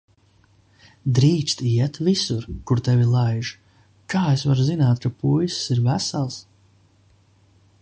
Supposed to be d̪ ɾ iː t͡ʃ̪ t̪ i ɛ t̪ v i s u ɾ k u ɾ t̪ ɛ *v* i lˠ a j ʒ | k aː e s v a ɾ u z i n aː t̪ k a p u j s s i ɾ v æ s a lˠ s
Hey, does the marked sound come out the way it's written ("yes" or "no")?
yes